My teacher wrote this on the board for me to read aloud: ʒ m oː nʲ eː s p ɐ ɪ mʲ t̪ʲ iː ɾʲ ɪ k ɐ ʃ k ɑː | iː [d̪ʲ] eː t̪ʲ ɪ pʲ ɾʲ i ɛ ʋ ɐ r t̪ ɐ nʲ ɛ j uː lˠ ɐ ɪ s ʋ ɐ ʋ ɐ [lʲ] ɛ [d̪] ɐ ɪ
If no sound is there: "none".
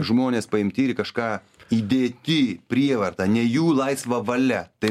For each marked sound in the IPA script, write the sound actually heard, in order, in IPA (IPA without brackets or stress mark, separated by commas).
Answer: d̪ʲ, lʲ, t̪